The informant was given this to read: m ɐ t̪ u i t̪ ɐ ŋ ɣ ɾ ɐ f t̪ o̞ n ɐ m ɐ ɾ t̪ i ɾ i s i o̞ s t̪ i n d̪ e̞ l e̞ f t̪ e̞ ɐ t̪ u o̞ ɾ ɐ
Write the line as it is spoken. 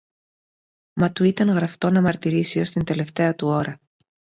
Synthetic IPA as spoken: m ɐ t̪ u i t̪ ɐ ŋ ɣ ɾ ɐ f t̪ o̞ n ɐ m ɐ ɾ t̪ i ɾ i s i o̞ s t̪ i n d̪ e̞ l e̞ f t̪ e̞ ɐ t̪ u o̞ ɾ ɐ